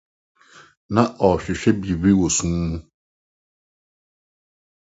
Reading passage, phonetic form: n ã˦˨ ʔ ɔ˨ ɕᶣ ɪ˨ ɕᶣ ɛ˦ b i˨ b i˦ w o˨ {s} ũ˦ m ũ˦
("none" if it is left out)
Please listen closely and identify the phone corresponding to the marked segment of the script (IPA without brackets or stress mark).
s